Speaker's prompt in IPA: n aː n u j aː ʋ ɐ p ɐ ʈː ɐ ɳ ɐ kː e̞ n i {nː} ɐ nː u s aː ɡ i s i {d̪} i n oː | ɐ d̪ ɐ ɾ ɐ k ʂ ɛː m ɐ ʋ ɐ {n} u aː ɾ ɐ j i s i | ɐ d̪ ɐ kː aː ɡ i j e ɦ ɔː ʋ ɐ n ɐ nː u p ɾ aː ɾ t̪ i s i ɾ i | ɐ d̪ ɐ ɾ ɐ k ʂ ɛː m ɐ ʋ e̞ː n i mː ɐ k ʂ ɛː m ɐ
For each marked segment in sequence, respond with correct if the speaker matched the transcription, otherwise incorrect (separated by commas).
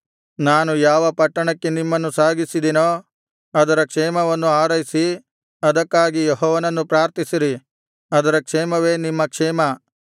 incorrect, correct, incorrect